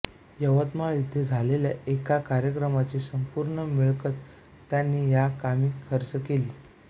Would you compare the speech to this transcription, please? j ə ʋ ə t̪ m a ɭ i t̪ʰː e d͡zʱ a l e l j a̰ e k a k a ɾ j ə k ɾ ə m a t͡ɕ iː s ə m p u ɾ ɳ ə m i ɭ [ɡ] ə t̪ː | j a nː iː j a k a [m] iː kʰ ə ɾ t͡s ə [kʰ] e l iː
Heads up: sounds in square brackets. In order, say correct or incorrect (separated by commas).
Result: incorrect, correct, incorrect